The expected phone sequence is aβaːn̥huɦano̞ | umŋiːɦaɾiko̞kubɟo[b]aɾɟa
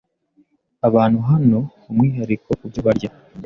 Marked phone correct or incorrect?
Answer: incorrect